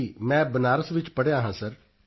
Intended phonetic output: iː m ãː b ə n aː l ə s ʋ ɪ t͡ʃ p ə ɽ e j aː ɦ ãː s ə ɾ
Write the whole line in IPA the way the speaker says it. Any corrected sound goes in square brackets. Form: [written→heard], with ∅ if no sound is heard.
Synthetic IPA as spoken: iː m [ãː→ɛ̃ː] b ə n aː [l→ɾ] ə s ʋ ɪ t͡ʃ p ə ɽ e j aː ɦ ãː s ə ɾ